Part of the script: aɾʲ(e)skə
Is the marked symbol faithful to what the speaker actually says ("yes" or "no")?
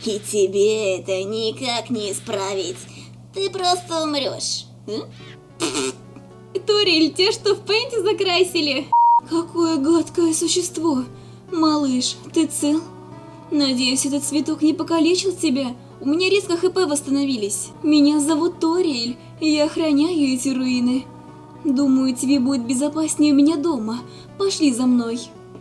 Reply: yes